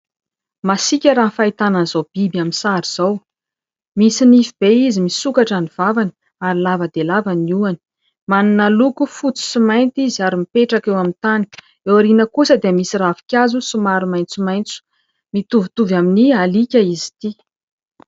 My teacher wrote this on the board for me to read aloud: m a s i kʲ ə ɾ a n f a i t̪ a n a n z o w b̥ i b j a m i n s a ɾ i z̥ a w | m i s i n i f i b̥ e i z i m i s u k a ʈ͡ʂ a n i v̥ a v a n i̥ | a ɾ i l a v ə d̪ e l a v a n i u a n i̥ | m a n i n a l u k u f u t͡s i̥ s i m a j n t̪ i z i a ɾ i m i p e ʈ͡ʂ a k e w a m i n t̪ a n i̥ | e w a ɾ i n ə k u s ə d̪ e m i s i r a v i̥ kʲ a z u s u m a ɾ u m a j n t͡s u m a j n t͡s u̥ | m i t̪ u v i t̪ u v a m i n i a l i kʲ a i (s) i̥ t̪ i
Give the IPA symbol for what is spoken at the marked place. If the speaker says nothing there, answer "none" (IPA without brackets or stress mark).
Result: z